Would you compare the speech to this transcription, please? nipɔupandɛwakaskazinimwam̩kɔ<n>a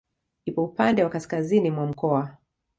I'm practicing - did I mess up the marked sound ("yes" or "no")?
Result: yes